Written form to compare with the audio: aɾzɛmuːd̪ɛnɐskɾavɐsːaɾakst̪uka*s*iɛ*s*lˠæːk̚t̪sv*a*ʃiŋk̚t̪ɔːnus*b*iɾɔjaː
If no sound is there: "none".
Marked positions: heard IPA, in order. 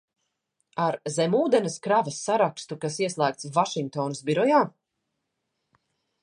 s, s, a, b

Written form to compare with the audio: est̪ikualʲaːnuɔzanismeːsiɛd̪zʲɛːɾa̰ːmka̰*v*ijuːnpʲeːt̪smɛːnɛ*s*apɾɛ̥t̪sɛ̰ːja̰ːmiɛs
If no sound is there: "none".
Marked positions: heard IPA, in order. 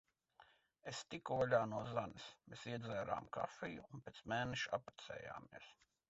f, ʃ

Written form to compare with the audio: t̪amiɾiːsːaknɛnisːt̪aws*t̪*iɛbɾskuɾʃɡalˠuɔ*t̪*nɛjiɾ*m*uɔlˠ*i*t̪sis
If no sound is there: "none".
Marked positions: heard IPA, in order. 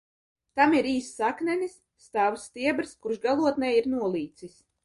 t̪, t̪, n, iː

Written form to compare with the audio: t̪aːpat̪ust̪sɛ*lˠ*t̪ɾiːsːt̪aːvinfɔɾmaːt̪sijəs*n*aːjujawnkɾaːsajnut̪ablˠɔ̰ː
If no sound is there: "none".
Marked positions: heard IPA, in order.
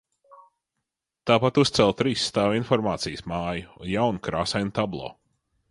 lˠ, m

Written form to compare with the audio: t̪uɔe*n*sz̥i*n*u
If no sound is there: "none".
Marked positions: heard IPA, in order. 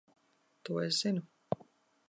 none, n

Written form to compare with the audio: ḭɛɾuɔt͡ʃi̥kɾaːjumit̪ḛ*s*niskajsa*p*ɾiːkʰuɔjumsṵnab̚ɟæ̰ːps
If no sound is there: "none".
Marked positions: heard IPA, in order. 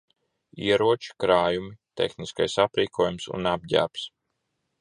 x, p

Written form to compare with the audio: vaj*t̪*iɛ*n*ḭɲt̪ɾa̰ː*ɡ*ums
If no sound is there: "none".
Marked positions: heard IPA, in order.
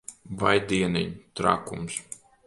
d̪, n, k

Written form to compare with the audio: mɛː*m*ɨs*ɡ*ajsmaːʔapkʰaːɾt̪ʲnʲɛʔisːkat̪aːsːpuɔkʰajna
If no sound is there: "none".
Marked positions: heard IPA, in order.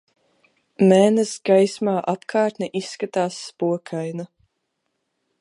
n, ɡ

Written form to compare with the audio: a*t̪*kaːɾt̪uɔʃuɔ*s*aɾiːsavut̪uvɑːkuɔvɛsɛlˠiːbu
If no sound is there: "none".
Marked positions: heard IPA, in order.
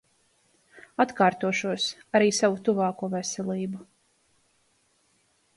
t̪, s

